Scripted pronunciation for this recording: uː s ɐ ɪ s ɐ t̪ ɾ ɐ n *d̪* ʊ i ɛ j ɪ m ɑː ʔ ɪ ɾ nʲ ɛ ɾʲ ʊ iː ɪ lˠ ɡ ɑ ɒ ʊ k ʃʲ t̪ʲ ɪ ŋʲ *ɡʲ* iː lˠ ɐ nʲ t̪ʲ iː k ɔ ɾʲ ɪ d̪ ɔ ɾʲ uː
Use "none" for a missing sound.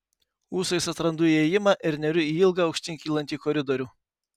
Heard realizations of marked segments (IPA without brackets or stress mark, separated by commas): d̪, kʲ